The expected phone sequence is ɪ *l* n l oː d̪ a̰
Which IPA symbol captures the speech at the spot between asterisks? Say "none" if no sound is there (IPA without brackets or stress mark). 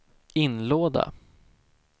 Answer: none